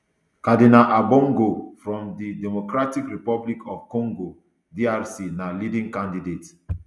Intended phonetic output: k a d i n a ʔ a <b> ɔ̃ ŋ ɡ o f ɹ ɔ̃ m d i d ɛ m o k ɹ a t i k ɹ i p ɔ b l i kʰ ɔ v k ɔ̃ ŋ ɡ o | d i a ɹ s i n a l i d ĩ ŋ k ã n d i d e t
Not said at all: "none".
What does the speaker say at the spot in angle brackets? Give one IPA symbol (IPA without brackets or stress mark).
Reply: b